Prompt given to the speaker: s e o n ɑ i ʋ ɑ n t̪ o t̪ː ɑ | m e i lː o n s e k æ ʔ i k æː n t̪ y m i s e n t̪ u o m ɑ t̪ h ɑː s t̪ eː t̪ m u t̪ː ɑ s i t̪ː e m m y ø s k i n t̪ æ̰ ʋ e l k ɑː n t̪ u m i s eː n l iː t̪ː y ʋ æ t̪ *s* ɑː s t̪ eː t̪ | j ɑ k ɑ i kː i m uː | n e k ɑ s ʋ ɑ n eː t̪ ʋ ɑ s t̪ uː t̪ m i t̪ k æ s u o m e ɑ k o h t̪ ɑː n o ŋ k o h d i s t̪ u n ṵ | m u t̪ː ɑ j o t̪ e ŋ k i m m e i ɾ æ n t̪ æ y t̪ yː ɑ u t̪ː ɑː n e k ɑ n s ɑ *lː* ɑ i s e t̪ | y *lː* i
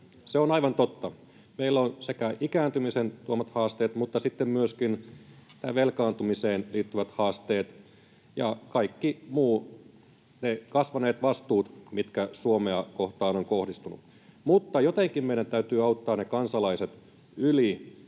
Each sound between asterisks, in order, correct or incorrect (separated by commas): incorrect, incorrect, incorrect